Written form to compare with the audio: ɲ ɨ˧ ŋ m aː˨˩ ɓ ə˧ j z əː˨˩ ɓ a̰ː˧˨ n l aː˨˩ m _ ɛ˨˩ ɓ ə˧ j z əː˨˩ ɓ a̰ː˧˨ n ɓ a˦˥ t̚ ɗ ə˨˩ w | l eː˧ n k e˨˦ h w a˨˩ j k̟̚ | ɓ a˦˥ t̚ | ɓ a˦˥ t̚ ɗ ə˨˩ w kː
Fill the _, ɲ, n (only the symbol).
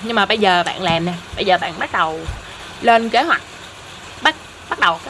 n